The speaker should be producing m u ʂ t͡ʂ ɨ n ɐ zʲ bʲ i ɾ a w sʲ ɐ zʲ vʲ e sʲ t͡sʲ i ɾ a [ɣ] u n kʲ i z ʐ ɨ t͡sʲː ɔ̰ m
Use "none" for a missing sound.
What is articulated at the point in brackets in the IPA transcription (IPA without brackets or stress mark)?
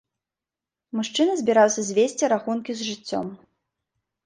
x